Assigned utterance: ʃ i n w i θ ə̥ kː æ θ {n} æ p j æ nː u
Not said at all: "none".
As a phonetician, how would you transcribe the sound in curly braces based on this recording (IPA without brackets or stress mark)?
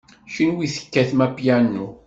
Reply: m